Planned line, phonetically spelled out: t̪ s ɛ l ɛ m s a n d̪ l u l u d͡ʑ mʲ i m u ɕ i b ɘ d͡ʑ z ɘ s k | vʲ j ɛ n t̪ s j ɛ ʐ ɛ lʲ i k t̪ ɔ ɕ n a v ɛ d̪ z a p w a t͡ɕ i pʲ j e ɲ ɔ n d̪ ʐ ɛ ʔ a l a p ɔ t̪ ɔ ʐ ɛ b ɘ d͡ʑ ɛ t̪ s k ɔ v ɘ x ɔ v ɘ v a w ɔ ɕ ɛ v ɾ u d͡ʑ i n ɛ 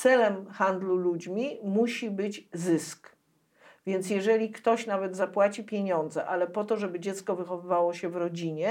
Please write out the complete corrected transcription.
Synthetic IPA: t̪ s ɛ l ɛ m x a n d̪ l u l u d͡ʑ mʲ i m u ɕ i b ɘ d͡ʑ z ɘ s k | vʲ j ɛ n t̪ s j ɛ ʐ ɛ lʲ i k t̪ ɔ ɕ n a v ɛ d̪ z a p w a t͡ɕ i pʲ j e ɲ ɔ n d̪ z ɛ ʔ a l ɛ p ɔ t̪ ɔ ʐ ɛ b ɘ d͡ʑ ɛ t̪ s k ɔ v ɘ x ɔ v ɘ v a w ɔ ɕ ɛ v ɾ ɔ d͡ʑ i ɲ ɛ